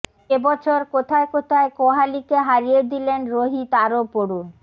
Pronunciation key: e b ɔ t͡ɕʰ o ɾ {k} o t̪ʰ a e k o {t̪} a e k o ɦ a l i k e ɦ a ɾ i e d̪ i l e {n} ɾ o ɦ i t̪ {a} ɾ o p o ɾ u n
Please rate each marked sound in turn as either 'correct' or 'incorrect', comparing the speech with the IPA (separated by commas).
correct, incorrect, correct, correct